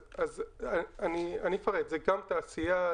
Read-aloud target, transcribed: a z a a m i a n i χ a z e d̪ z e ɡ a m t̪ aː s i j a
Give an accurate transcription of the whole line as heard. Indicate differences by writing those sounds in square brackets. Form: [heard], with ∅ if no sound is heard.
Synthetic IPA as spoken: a z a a [n] i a n i [f] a [ʁ] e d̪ z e ɡ a m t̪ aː s i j a